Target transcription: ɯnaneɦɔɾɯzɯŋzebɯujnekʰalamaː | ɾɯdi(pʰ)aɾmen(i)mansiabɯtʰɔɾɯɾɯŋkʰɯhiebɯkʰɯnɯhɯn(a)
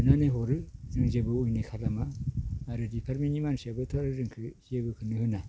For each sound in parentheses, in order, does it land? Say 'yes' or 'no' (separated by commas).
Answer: yes, yes, yes